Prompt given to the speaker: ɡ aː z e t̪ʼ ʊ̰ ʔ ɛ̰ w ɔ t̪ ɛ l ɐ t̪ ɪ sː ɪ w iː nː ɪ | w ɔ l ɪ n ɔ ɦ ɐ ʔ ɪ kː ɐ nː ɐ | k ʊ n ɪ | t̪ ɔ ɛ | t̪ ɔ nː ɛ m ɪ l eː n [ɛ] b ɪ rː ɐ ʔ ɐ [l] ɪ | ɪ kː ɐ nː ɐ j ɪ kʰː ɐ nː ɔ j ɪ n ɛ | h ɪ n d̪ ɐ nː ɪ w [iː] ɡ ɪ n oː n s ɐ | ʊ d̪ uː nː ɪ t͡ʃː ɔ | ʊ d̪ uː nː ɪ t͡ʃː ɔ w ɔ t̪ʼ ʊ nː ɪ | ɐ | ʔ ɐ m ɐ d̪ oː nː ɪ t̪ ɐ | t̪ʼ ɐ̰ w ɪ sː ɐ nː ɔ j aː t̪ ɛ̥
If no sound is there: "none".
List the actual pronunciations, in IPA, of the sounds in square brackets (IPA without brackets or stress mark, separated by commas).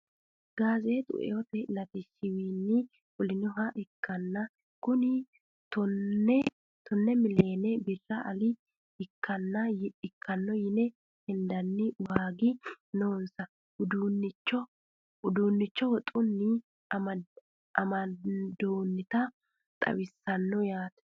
ɛ, l, aː